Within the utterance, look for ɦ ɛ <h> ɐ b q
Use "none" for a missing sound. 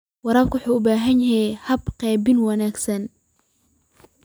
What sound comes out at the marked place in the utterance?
h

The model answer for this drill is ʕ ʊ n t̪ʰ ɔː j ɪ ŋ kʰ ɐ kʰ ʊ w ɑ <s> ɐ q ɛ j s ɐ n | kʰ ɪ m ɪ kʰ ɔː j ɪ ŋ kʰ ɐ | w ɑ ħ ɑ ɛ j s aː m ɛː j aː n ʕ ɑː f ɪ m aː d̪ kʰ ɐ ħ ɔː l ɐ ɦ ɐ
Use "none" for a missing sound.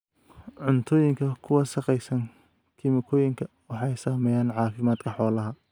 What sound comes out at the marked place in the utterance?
ʃ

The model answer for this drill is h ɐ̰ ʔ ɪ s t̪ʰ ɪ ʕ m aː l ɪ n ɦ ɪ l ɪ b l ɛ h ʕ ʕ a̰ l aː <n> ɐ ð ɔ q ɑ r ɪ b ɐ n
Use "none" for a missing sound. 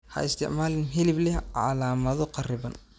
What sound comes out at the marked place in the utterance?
m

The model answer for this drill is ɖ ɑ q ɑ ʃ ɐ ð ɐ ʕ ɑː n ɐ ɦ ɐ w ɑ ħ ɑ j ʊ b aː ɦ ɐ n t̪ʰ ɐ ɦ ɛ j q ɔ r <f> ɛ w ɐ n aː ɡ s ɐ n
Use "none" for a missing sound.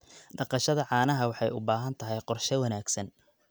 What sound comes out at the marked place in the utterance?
ʃ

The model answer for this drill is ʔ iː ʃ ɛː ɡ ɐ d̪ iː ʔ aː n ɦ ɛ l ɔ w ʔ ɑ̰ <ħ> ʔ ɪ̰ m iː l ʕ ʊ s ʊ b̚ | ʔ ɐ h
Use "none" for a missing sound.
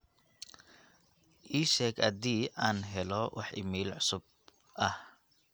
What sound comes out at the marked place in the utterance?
ħ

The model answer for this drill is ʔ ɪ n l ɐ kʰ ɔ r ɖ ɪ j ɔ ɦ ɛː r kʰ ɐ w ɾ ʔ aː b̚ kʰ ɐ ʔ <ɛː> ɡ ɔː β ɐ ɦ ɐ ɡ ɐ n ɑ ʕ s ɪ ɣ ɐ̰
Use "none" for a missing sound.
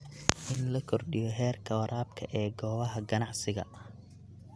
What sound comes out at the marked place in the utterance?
ɛː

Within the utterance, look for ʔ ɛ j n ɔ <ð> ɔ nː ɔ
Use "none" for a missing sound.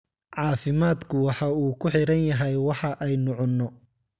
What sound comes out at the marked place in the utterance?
ʕ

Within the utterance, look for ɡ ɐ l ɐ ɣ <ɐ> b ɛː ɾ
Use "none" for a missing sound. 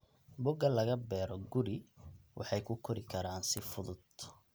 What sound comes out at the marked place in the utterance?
ɐ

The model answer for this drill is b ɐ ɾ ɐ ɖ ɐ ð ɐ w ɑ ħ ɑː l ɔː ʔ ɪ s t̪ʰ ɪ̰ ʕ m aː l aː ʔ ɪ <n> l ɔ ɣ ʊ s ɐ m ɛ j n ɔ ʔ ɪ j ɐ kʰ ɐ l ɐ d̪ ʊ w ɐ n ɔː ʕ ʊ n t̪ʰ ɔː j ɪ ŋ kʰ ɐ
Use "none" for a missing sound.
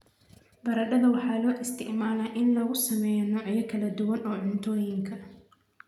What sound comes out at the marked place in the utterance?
n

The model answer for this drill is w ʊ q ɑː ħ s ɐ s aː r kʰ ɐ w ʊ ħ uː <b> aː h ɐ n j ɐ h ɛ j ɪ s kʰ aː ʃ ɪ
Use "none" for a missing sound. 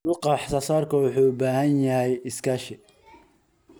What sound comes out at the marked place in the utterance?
b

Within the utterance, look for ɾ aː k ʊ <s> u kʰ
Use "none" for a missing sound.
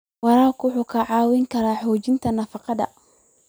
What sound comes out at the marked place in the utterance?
ħ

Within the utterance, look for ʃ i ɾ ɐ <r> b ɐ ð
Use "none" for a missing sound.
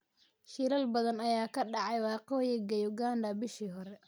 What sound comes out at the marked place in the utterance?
l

